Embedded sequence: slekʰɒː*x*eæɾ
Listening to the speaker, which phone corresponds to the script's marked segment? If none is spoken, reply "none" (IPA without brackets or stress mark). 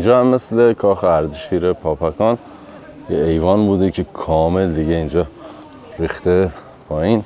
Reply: x